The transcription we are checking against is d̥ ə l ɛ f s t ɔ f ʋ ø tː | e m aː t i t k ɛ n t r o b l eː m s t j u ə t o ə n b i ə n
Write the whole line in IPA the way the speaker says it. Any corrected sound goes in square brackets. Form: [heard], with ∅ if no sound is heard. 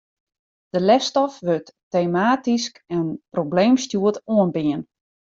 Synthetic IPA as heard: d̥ ə l ɛ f s t ɔ f ʋ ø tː | e m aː t i [s] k ɛ n [p] r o b l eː m s t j u ə t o ə n b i ə n